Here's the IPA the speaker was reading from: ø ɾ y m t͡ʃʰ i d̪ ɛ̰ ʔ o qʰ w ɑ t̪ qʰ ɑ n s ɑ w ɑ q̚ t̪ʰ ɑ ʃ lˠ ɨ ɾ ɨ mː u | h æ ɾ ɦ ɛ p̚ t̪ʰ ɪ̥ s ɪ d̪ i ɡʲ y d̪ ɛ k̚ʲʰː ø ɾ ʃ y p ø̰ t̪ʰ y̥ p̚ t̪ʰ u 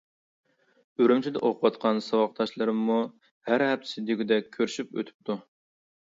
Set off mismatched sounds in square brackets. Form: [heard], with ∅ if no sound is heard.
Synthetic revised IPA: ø ɾ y m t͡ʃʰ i d̪ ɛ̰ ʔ o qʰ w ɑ t̪ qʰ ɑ n s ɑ w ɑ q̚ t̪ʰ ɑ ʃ lˠ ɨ ɾ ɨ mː u | h æ ɾ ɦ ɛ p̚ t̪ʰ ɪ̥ s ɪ d̪ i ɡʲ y d̪ ɛ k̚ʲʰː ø ɾ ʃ y p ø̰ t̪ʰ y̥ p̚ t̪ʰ u